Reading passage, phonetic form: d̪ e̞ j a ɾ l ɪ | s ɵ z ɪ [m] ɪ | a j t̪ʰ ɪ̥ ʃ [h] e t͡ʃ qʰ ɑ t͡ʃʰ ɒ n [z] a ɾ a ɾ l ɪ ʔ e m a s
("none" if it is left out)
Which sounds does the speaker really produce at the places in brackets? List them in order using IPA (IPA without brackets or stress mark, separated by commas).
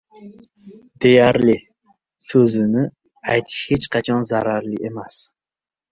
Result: n, h, z